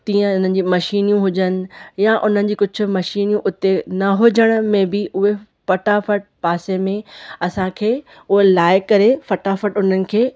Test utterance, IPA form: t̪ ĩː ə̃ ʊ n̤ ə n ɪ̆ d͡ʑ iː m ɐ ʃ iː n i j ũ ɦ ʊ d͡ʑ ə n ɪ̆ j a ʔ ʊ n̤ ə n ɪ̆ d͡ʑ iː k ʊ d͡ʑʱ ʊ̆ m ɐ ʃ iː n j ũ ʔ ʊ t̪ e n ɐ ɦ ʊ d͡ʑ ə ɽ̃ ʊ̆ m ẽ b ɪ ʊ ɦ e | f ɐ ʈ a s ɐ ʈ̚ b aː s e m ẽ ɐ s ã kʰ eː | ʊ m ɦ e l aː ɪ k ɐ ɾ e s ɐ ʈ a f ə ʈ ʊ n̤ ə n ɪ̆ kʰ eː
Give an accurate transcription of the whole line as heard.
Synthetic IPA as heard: t̪ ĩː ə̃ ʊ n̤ ə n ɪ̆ d͡ʑ iː m ɐ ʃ iː n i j ũ ɦ ʊ d͡ʑ ə n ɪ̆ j a ʔ ʊ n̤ ə n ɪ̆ d͡ʑ iː k ʊ d͡ʑʱ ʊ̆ m ɐ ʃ iː n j ũ ʔ ʊ t̪ e n ɐ ɦ ʊ d͡ʑ ə ɽ̃ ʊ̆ m ẽ b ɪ ʊ ɦ e | f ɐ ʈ a f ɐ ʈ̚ p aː s e m ẽ ɐ s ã kʰ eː | ʊ ɦ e l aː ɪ k ɐ ɾ e f ɐ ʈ a f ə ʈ ʊ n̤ ə n ɪ̆ kʰ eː